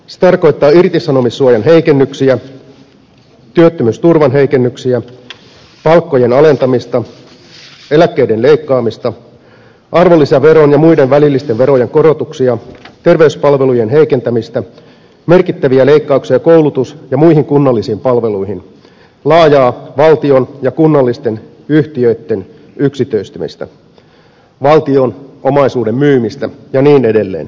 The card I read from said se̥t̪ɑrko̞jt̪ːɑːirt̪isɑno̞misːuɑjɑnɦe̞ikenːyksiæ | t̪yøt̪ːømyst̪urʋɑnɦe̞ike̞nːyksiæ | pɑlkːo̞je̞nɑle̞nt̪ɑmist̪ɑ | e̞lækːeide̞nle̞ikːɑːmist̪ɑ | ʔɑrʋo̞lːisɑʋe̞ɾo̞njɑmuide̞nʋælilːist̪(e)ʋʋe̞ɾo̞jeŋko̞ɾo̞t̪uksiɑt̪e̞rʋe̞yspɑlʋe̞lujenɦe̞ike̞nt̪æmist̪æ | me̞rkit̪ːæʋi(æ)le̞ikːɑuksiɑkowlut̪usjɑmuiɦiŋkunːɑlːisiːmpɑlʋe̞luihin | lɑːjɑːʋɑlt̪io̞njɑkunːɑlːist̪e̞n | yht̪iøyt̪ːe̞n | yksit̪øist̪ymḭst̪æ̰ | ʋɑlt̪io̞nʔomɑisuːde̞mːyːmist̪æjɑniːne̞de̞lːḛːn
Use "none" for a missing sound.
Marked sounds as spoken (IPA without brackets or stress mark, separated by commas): e, æ